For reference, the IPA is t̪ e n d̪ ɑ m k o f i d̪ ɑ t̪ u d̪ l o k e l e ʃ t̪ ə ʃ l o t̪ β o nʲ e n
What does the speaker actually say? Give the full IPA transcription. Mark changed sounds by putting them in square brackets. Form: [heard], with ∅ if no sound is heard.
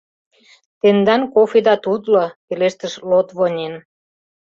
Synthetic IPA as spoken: t̪ e n d̪ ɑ [n] k o f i d̪ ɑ t̪ u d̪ l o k e l e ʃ t̪ ə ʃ l o t̪ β o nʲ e n